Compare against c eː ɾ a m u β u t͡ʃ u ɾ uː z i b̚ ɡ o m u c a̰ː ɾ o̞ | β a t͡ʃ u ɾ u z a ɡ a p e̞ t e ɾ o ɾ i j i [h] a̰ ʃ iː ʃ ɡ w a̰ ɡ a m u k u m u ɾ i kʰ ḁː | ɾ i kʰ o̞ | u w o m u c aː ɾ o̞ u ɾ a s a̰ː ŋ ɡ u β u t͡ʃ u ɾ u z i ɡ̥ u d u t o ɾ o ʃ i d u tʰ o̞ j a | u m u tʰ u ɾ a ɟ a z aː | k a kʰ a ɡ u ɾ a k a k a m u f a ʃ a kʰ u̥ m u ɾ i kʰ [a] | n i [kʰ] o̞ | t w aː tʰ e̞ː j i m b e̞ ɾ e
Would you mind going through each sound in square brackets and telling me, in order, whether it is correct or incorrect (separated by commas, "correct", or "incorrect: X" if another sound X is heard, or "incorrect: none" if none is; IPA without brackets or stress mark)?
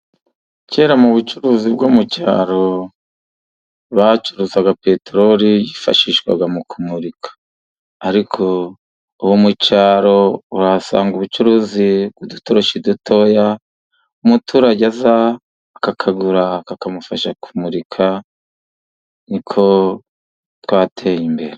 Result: incorrect: f, correct, correct